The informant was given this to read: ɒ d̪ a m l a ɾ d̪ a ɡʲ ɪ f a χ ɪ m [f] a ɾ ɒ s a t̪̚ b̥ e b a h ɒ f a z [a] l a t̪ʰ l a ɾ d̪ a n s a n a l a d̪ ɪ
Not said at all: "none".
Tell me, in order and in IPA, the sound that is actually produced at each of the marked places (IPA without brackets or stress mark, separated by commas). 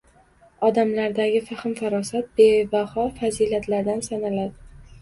f, i